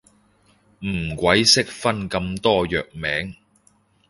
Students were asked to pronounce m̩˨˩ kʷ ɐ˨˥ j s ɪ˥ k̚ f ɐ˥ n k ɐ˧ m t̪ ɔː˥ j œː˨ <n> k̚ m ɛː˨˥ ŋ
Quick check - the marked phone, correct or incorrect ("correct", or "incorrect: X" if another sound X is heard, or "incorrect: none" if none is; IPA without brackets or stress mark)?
incorrect: none